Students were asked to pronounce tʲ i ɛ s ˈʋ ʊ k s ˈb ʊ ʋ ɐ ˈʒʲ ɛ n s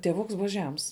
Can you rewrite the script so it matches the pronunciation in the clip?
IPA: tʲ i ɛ ˈʋ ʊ k s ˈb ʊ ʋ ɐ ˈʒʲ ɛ m s